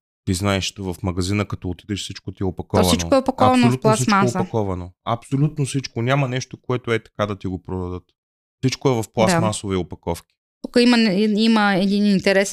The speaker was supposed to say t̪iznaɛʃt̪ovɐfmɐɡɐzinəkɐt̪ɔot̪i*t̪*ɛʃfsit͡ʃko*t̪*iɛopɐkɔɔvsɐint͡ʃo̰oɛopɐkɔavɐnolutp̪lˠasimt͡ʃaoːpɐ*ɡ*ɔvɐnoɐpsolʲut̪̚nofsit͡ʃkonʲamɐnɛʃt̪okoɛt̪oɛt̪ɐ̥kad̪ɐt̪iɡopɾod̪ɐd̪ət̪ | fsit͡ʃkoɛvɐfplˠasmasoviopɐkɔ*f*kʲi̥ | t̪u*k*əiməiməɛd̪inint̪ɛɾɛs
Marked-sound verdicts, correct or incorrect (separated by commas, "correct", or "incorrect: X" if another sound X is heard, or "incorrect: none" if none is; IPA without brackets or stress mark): incorrect: d̪, correct, incorrect: k, correct, correct